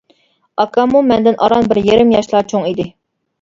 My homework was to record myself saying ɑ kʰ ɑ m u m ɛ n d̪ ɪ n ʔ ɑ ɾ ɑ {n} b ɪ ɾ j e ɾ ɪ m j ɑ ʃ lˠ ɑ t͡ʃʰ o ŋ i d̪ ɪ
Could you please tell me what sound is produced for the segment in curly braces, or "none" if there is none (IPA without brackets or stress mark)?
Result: n